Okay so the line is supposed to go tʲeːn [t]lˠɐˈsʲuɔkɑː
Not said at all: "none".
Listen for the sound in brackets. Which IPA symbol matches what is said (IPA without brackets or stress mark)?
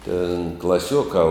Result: k